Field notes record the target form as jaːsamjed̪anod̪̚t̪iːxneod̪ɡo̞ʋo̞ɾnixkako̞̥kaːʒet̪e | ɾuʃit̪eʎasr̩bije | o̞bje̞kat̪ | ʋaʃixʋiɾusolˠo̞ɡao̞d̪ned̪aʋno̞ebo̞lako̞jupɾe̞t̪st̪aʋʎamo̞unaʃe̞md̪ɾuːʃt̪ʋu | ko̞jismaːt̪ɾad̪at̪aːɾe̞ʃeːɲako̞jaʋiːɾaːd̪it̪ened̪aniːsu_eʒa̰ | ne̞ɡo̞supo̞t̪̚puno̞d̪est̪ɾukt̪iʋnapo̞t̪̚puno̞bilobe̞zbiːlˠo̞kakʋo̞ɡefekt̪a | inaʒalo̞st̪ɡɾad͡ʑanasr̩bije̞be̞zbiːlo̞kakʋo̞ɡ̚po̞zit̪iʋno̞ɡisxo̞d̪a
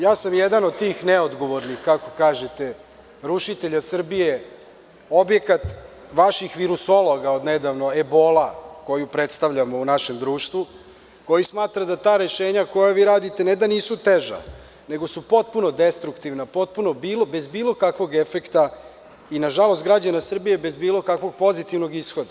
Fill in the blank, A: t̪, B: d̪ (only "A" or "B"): A